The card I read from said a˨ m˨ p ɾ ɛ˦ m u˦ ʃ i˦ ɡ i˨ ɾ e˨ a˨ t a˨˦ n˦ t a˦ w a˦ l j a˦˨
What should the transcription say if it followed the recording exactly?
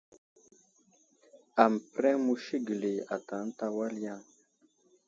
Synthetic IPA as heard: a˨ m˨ p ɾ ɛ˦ m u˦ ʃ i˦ ɡ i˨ l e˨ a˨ t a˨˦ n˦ t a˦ w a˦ l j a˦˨